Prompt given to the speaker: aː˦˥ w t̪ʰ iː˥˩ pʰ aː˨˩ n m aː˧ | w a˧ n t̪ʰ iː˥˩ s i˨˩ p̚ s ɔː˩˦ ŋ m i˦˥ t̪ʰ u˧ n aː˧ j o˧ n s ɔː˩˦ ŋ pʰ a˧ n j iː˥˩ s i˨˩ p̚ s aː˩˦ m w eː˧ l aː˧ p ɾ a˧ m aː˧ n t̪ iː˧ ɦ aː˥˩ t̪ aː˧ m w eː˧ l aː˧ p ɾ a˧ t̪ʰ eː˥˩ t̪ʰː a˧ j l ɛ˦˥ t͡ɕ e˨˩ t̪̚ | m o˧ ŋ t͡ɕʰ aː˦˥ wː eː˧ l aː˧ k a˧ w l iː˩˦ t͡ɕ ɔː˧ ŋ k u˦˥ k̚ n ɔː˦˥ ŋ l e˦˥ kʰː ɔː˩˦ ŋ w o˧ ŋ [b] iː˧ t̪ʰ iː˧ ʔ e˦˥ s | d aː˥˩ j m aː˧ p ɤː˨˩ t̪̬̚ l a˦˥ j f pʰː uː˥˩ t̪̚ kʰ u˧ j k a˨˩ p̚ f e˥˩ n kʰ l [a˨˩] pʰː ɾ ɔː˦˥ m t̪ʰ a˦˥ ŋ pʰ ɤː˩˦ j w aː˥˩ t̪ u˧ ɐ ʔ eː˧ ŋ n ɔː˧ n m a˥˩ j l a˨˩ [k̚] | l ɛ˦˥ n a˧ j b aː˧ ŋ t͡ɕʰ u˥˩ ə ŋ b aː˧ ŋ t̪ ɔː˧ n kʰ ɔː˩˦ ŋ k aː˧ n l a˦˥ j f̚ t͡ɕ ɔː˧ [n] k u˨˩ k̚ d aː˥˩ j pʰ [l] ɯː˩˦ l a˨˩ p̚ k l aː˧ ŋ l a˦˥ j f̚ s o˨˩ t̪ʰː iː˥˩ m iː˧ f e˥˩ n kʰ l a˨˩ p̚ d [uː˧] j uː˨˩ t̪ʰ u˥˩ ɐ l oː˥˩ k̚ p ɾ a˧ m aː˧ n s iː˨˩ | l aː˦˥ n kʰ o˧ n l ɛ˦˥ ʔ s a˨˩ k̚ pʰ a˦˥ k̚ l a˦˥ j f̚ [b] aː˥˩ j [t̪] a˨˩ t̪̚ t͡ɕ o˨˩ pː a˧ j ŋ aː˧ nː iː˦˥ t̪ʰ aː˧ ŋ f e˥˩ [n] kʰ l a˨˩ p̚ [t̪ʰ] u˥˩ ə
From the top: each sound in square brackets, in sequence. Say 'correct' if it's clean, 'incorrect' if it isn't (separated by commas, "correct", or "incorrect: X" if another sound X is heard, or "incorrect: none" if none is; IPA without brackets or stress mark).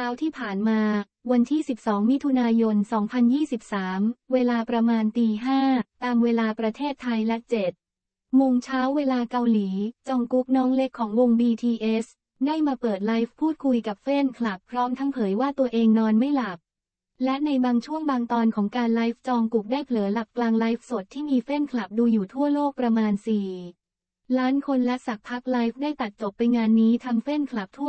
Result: correct, correct, incorrect: p̚, incorrect: ŋ, correct, correct, incorrect: d, correct, correct, correct